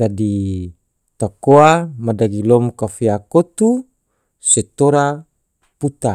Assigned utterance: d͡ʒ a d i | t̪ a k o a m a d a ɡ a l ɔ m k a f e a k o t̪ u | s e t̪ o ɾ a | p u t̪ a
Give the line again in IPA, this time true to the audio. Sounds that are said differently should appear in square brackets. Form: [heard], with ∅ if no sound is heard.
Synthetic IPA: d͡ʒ a d i | t̪ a k o a m a d a ɡ [i] l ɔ m k a f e a k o t̪ u | s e t̪ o ɾ a | p u t̪ a